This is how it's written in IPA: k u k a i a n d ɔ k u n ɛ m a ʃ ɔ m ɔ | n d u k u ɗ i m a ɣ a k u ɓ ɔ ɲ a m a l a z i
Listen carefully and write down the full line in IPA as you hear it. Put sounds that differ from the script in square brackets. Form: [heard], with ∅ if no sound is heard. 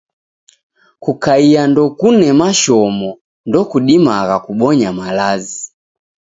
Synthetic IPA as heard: k u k a i a n d ɔ k u n ɛ m a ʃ ɔ m ɔ | n d [ɔ] k u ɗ i m a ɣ a k u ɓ ɔ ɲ a m a l a z i